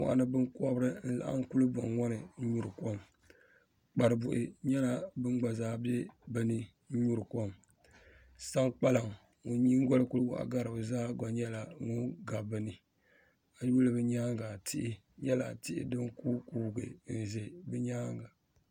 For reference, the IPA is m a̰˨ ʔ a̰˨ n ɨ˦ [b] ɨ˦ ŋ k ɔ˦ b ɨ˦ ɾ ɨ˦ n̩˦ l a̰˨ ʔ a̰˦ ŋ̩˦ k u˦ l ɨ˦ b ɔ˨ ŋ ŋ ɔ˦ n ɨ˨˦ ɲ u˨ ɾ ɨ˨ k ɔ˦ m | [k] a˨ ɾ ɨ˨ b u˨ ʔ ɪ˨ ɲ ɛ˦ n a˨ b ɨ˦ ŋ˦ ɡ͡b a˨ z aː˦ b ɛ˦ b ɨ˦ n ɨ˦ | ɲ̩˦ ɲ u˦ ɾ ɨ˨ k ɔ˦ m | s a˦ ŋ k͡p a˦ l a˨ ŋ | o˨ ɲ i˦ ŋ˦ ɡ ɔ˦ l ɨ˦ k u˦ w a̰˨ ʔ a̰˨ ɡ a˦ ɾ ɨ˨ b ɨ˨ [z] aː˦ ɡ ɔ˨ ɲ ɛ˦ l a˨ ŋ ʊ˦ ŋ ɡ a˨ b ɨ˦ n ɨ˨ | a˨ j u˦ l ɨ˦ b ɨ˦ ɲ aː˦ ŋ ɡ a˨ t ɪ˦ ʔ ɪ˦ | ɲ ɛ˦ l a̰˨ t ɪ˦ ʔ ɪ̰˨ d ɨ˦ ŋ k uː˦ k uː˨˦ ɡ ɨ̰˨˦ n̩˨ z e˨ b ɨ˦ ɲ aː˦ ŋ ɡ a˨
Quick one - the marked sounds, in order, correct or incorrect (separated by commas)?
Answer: correct, incorrect, correct